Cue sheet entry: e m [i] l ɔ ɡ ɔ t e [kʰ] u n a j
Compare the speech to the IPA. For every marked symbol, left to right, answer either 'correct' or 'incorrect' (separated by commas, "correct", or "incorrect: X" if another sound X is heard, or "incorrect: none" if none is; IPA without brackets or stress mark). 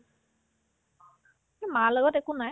incorrect: a, incorrect: k